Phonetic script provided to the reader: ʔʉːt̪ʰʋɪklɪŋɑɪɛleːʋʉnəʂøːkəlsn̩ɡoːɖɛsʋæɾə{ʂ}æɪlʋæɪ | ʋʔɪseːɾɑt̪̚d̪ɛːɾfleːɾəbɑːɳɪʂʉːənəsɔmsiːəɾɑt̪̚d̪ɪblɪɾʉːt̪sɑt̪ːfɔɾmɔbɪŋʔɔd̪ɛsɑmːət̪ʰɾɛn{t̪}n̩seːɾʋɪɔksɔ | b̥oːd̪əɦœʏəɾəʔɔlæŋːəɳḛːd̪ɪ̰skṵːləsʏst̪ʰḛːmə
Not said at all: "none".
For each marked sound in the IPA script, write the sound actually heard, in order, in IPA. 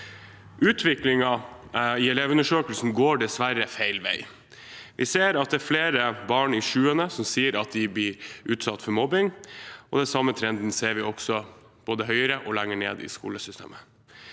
f, d̪

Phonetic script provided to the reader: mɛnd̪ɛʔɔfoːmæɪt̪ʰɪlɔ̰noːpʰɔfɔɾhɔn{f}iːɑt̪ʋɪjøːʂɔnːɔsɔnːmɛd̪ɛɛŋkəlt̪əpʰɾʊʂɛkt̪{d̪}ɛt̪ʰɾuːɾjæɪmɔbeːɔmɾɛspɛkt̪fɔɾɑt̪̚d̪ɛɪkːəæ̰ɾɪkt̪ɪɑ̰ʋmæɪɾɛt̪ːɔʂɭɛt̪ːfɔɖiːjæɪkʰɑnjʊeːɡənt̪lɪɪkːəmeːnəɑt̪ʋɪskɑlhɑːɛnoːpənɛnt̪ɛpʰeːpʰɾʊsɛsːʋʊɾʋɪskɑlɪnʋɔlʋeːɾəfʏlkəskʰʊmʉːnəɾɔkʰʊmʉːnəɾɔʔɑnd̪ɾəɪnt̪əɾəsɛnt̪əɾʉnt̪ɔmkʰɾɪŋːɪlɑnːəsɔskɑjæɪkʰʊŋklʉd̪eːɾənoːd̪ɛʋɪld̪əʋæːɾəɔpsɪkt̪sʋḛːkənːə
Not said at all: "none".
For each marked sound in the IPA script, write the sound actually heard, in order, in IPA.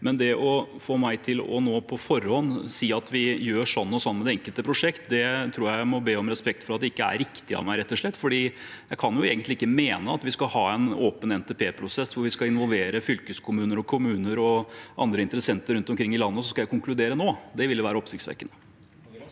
s, d̪

